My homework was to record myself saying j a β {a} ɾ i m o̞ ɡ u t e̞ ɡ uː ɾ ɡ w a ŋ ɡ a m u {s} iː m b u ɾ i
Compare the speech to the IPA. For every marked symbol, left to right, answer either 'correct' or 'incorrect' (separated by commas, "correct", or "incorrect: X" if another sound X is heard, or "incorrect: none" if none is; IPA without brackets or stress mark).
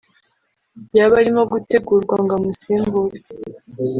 correct, correct